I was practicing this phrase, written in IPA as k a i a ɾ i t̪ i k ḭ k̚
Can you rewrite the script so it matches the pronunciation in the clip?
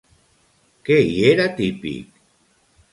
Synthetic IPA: k e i e ɾ a t̪ i p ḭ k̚